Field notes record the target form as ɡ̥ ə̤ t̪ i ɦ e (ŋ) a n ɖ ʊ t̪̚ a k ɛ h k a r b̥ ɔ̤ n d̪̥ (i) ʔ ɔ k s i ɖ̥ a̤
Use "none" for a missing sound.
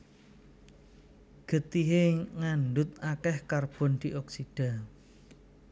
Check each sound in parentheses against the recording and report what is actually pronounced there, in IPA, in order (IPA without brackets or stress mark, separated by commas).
ŋ, i